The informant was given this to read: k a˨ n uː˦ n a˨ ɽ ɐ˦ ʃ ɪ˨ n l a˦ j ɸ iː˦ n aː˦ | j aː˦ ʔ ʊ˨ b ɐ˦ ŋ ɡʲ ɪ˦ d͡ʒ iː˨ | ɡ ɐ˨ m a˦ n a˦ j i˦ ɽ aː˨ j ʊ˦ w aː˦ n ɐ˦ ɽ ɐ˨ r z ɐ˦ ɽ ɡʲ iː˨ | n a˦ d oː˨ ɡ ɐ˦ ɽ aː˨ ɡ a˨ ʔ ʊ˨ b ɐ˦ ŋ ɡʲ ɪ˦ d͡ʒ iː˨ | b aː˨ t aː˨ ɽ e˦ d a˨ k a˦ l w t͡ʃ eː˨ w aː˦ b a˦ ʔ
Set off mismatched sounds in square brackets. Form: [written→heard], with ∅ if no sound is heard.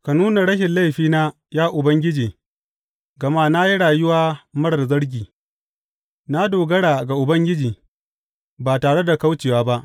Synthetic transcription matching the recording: k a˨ n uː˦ n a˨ ɽ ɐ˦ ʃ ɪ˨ n l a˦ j ɸ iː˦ n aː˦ | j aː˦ ʔ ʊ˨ b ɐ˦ ŋ ɡʲ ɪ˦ d͡ʒ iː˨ | ɡ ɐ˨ m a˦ n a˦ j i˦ ɽ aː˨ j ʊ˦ w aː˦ [n→m] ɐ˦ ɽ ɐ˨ r z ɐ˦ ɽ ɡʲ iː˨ | n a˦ d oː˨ ɡ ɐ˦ ɽ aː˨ ɡ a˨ ʔ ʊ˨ b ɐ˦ ŋ ɡʲ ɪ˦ d͡ʒ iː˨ | b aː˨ t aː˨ ɽ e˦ d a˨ k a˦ [l→∅] w t͡ʃ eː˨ w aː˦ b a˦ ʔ